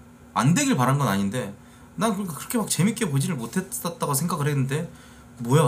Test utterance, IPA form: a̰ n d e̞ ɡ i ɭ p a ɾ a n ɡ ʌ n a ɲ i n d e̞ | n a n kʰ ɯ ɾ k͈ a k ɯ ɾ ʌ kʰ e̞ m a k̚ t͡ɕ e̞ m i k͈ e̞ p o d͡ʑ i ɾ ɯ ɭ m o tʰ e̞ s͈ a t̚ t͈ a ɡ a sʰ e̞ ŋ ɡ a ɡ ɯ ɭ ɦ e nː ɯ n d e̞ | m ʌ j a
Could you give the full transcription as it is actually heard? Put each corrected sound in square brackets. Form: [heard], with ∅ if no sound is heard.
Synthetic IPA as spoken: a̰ n d e̞ ɡ i ɭ p a ɾ a n ɡ ʌ n a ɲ i n d e̞ | n a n [k] ɯ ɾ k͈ a k ɯ ɾ ʌ kʰ e̞ m a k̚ t͡ɕ e̞ m i k͈ e̞ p o d͡ʑ i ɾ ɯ ɭ m o tʰ e̞ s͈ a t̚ t͈ a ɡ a sʰ e̞ ŋ ɡ a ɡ ɯ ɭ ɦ e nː ɯ n d e̞ | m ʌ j a